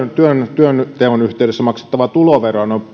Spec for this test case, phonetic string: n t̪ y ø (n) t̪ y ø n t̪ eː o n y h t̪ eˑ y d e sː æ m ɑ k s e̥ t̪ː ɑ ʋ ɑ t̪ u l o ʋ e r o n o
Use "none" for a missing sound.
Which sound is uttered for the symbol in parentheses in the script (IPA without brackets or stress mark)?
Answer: n